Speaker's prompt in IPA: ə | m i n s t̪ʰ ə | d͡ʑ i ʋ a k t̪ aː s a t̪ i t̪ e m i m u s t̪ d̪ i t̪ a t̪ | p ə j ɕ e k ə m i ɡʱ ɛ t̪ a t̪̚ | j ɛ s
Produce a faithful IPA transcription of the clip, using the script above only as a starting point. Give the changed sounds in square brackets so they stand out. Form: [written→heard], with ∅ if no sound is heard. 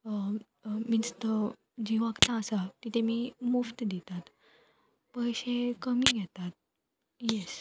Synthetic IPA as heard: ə | m i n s [t̪ʰ→t̪] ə | d͡ʑ i ʋ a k t̪ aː s a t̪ i t̪ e m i m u [s→f] t̪ d̪ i t̪ a t̪ | p ə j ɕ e k ə m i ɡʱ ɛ t̪ a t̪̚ | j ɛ s